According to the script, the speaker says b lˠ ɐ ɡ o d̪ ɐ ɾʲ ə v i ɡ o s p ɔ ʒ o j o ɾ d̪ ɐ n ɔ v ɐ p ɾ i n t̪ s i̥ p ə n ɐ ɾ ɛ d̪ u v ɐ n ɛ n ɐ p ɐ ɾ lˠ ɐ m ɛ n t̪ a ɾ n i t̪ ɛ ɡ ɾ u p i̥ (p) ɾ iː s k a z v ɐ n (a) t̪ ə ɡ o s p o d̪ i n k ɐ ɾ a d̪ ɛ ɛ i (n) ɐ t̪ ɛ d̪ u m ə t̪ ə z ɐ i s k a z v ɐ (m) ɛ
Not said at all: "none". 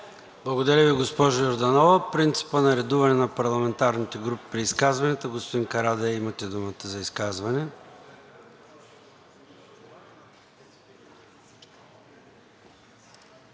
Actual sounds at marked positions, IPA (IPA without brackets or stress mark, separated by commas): p, ɛ, m, n